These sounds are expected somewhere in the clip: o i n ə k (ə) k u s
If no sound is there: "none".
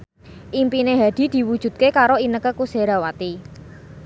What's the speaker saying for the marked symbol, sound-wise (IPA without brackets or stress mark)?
ə